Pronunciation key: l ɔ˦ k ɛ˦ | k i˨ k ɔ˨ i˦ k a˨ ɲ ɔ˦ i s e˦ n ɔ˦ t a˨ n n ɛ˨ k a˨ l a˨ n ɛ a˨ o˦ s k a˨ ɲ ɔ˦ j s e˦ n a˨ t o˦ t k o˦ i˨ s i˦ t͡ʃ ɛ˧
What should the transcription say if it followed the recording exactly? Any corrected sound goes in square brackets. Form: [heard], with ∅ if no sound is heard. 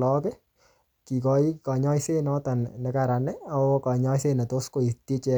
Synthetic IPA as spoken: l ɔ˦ k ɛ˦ | k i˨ k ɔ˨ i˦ k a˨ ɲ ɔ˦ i s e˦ n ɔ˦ t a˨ n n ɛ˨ k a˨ [ɾ] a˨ n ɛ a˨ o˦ [∅] k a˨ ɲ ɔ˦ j s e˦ n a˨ t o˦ [s] k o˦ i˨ [t] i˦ t͡ʃ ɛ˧